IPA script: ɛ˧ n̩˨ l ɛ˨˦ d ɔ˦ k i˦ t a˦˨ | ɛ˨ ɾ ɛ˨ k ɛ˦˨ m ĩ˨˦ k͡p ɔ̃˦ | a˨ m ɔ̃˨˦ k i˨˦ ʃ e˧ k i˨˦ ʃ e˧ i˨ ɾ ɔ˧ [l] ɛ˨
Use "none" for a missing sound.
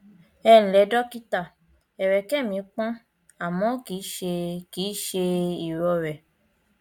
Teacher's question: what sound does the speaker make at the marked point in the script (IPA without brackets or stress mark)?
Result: ɾ